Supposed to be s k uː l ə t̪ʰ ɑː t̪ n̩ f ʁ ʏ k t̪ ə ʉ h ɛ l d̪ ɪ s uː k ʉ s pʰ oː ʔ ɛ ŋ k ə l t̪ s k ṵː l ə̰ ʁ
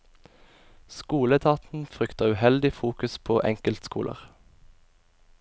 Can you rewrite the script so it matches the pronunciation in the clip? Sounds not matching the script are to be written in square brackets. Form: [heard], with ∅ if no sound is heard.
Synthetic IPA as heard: s k uː l ə t̪ʰ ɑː t̪ n̩ f ʁ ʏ k t̪ ə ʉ h ɛ l d̪ ɪ [f] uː k ʉ s pʰ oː ʔ ɛ ŋ k ə l t̪ s k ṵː l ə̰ ʁ